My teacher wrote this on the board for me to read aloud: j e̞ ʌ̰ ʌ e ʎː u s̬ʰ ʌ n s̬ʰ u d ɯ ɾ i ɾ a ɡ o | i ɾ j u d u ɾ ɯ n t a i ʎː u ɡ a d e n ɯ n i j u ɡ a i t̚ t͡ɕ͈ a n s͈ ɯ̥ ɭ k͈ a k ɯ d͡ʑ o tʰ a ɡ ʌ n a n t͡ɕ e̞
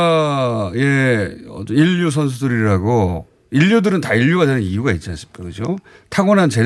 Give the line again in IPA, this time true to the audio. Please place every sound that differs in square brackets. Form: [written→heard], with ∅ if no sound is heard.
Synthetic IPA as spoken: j e̞ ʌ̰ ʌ [e→i] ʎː u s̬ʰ ʌ n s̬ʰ u d ɯ ɾ i ɾ a ɡ o | i [ɾ→ʎ] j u d [u→ɯ] ɾ ɯ n t a i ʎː u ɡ a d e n ɯ n i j u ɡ a i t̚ t͡ɕ͈ a n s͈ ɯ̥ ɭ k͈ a k ɯ d͡ʑ o tʰ a ɡ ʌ n a n t͡ɕ e̞